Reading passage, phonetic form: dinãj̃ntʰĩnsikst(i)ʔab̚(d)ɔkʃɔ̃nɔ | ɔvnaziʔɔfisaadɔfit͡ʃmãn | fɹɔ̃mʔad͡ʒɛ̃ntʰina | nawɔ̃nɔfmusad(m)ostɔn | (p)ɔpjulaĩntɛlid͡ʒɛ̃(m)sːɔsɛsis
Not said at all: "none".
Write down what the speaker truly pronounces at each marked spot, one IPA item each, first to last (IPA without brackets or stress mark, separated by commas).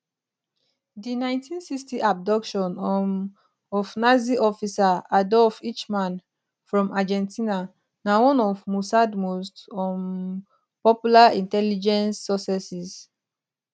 i, d, m, p, n